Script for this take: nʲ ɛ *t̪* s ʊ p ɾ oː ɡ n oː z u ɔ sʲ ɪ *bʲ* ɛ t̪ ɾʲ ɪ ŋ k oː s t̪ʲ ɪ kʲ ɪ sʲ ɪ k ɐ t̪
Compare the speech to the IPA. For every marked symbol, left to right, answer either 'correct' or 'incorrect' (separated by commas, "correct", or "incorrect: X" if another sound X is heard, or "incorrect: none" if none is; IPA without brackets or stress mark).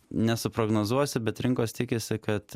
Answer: incorrect: none, correct